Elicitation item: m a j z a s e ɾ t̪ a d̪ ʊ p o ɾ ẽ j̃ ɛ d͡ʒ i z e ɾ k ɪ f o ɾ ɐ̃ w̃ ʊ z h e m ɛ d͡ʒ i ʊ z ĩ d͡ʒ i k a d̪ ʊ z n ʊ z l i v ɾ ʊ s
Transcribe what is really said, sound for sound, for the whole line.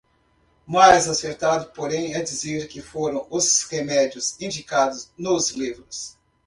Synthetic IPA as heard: m a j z a s e ɾ t̪ a d̪ ʊ p o ɾ ẽ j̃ ɛ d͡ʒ i z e ɾ k ɪ f o ɾ ɐ̃ w̃ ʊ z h e m ɛ d͡ʒ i ʊ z ĩ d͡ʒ i k a d̪ ʊ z n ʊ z l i v ɾ ʊ s